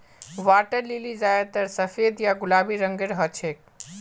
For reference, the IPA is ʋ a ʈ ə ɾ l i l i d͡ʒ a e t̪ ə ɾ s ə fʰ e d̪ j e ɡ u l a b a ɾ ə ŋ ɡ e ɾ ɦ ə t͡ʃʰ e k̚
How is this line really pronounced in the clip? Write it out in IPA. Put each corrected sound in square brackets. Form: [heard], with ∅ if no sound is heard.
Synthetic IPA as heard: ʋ a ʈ ə ɾ l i l i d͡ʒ a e t̪ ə ɾ s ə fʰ e d̪ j [a] ɡ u l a b [i] ɾ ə ŋ ɡ e ɾ ɦ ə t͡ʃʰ e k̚